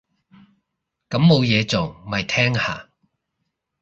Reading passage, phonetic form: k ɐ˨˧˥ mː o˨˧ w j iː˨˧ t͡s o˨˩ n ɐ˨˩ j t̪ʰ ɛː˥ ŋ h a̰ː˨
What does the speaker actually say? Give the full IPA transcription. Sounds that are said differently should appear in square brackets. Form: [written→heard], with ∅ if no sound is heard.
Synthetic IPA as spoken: k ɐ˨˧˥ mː o˨˧ w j [iː˨˧→ɛː˨˧] t͡s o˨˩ [n→m] ɐ˨˩ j t̪ʰ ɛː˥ ŋ h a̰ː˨